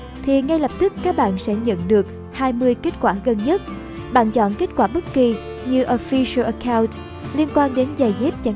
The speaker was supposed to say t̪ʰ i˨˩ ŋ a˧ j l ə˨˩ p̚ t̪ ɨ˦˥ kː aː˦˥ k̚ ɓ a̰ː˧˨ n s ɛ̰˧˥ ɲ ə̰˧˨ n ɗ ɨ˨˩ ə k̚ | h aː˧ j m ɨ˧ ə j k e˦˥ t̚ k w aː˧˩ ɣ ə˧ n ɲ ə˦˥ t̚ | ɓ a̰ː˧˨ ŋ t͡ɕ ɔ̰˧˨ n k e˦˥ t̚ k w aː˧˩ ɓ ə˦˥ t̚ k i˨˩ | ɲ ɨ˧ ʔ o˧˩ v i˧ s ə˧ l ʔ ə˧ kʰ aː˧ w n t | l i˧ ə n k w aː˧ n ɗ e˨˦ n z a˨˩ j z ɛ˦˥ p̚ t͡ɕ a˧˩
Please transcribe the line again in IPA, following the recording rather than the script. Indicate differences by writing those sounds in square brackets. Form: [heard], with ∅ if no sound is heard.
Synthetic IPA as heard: t̪ʰ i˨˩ ŋ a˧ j l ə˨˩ p̚ t̪ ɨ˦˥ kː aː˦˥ k̚ ɓ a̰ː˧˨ n s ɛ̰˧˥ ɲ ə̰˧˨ n ɗ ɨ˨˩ ə k̚ | h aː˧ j m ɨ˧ ə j k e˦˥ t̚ k w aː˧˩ ɣ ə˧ n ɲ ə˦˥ t̚ | ɓ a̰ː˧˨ [n] t͡ɕ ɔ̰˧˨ n k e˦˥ t̚ k w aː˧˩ ɓ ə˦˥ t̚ k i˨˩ | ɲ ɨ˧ ʔ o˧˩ [f] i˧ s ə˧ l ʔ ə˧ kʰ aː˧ w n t | l i˧ ə n k w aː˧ n ɗ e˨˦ n z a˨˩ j z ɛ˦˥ p̚ t͡ɕ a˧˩

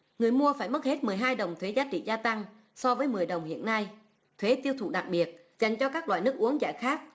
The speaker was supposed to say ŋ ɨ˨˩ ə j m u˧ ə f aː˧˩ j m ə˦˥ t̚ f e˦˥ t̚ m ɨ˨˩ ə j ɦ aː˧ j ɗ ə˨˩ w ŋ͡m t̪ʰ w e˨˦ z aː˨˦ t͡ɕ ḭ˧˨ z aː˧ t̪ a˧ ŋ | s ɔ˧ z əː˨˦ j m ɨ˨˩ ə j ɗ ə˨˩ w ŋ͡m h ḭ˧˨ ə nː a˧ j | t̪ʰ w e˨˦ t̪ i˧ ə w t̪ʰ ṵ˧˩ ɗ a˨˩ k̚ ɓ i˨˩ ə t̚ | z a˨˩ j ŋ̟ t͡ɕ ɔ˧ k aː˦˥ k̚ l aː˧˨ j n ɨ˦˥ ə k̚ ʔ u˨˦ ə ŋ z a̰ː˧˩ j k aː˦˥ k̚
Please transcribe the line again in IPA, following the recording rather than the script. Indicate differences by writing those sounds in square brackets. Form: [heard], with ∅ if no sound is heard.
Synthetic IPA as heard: ŋ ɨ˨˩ ə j m u˧ ə f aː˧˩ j m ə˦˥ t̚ [h] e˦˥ t̚ m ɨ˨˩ ə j ɦ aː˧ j ɗ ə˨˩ w ŋ͡m t̪ʰ w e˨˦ z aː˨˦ t͡ɕ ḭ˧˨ z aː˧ t̪ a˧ ŋ | s ɔ˧ [v] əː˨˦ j m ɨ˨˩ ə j ɗ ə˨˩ w ŋ͡m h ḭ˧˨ ə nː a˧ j | t̪ʰ w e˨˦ t̪ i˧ ə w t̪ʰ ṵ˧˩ ɗ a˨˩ k̚ ɓ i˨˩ ə t̚ | z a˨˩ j ŋ̟ t͡ɕ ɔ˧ k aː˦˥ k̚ l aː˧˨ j n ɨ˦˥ ə k̚ ʔ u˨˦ ə ŋ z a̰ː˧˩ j [x] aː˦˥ k̚

